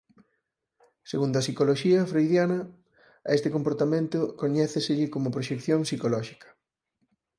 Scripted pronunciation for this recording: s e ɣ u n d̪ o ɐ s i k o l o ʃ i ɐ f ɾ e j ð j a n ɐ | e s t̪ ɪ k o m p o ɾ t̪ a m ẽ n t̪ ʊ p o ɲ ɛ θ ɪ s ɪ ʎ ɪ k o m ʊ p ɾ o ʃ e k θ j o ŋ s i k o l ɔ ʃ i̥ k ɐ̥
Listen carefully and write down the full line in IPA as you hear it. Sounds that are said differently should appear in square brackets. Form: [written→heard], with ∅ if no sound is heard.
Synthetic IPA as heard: s e ɣ u n d̪ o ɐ s i k o l o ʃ i ɐ f ɾ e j ð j a n ɐ | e s t̪ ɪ k o m p o ɾ t̪ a m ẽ n t̪ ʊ [p→k] o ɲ ɛ θ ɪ s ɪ ʎ ɪ k o m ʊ p ɾ o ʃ e k θ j o ŋ s i k o l ɔ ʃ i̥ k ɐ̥